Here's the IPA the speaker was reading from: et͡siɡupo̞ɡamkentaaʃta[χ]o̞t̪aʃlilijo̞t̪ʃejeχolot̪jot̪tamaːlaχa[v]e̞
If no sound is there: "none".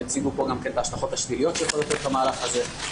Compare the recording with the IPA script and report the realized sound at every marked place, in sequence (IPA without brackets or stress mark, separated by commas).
χ, z